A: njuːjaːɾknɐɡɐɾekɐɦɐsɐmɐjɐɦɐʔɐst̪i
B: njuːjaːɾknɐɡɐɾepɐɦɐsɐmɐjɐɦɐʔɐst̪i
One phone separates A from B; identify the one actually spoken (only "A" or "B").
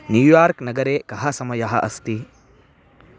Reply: A